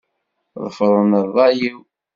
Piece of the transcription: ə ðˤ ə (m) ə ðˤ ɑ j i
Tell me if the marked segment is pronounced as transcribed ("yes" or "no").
no